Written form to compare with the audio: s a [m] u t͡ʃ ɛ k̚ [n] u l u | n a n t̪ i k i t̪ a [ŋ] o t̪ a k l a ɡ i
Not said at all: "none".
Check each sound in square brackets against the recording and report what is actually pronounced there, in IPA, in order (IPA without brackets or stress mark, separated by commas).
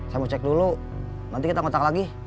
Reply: m, d, ŋ